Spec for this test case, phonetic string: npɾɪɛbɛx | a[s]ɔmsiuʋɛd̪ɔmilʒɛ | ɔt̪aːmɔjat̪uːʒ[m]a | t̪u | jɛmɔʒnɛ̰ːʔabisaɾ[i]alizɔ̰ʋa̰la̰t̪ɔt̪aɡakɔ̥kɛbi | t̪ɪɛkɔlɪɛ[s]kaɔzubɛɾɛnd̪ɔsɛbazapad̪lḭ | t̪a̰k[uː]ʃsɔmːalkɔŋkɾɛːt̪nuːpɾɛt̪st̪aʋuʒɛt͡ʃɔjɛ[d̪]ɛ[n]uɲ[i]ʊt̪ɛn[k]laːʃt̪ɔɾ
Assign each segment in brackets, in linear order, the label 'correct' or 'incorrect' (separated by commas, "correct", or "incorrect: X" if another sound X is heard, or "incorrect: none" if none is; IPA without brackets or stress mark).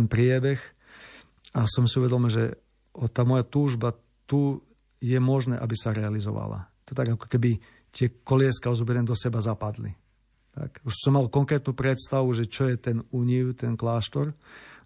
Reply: correct, incorrect: b, incorrect: ɛ, correct, incorrect: u, incorrect: t̪, correct, correct, correct